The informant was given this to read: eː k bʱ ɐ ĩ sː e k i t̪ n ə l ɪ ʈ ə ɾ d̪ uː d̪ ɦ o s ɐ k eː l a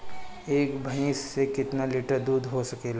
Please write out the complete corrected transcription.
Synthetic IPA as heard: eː k bʱ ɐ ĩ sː e k ɪ t̪ n a l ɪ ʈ ə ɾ d̪ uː d̪ ɦ o s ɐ k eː l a

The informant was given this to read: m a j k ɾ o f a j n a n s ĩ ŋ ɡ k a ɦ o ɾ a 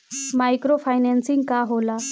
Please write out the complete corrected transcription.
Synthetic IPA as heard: m a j k ɾ o f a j n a n s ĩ ŋ ɡ k a ɦ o l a

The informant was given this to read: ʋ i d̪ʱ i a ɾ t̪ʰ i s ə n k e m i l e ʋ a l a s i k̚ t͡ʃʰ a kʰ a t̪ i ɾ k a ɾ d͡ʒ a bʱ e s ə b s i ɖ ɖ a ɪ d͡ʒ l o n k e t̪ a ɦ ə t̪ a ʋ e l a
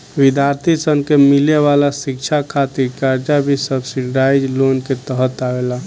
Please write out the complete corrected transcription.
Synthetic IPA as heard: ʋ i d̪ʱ j a ɾ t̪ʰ i s ə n k e m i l e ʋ a l a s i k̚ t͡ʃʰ a kʰ a t̪ i ɾ k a ɾ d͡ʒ a bʱ i s ə b s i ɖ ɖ a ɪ d͡ʒ l o n k e t̪ ə ɦ ə t̪ a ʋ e l a

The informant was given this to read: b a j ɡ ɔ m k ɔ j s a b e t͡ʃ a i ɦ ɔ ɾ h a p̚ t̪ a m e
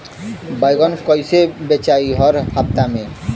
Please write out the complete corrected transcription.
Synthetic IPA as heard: b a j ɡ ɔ n k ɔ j s e b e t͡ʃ a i ɦ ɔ ɾ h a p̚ t̪ a m e

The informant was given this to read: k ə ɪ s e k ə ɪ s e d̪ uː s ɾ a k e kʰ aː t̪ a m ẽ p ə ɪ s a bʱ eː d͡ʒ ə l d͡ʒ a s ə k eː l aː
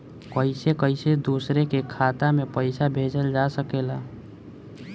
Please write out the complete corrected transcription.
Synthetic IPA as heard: k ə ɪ s e k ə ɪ s e d̪ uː s ɾ e k e kʰ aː t̪ a m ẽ p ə ɪ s a bʱ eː d͡ʒ ə l d͡ʒ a s ə k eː l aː

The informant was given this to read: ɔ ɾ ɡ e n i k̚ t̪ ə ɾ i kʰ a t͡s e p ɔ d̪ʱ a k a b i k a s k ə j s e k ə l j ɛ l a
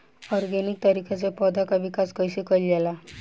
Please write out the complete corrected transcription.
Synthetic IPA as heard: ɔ ɾ ɡ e n i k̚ t̪ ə ɾ i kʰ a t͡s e p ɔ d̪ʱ a k a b i k a s k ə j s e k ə l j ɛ l a

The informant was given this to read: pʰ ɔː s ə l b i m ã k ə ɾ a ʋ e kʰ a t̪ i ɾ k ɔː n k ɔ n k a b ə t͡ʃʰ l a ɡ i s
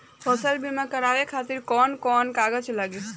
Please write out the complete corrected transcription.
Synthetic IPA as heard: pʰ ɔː s ə l b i m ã k ə ɾ a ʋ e kʰ a t̪ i ɾ k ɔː n k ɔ n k a ɡ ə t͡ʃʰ l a ɡ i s

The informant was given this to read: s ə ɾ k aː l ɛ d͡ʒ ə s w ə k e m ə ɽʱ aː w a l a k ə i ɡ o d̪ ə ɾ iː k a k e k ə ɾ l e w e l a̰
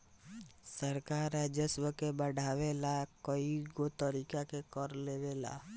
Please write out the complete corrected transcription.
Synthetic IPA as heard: s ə ɾ k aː ɾ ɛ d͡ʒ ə s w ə k e b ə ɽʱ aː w e l a k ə i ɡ o t̪ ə ɾ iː k a k e k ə ɾ l e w e l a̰

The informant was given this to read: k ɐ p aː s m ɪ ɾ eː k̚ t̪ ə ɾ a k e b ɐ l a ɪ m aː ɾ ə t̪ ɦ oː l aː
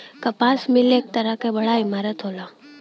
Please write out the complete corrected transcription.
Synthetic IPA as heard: k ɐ p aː s m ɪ l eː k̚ t̪ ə ɾ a k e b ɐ ɽ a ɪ m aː ɾ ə t̪ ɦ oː l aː

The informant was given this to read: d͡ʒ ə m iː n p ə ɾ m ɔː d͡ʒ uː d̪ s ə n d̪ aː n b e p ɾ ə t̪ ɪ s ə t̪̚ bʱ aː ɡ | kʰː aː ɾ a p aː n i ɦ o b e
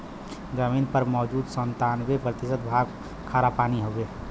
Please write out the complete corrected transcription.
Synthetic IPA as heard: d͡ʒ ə m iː n p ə ɾ m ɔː d͡ʒ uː d̪ s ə n t̪ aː n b e p ɾ ə t̪ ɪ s ə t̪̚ bʱ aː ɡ | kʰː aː ɾ a p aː n i ɦ o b e

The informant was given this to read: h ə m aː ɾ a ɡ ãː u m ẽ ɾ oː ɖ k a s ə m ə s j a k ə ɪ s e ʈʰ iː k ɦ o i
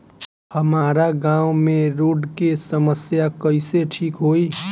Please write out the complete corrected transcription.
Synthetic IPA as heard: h ə m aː ɾ a ɡ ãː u m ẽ ɾ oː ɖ k e s ə m ə s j a k ə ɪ s e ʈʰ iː k ɦ o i

